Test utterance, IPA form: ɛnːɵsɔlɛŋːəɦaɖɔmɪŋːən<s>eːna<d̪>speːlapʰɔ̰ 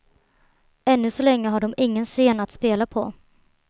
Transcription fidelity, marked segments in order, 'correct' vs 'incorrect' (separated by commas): correct, incorrect